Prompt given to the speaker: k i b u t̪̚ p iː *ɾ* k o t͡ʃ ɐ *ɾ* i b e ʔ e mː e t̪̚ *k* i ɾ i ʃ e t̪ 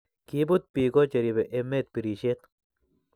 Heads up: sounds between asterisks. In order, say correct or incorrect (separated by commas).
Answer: incorrect, correct, incorrect